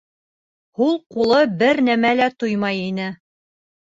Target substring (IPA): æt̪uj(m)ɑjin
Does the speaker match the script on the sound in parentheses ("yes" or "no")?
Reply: yes